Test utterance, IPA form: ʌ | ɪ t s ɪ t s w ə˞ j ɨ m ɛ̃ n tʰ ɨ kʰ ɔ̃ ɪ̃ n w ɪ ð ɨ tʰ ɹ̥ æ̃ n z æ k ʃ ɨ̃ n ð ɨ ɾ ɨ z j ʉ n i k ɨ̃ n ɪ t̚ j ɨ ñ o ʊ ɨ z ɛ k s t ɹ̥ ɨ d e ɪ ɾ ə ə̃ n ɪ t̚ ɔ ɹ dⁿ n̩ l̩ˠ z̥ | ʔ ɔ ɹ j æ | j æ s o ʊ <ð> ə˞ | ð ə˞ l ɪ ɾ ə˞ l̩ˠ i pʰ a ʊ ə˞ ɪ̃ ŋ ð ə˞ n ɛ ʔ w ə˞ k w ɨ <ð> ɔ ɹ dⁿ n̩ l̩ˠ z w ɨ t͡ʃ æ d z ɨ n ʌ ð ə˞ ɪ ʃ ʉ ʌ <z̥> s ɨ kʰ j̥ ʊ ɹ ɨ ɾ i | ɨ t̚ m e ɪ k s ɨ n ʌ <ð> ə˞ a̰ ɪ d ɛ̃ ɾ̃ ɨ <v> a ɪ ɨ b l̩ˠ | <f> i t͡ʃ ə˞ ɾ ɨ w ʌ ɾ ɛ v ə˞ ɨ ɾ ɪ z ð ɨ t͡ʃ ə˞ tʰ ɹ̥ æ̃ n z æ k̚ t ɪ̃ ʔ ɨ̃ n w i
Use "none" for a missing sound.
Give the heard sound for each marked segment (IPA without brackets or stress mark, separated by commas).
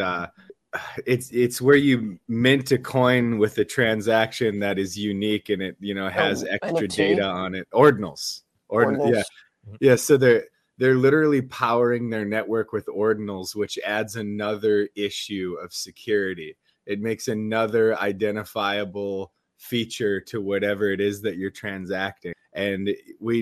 ð, ð, v̥, ð, f, f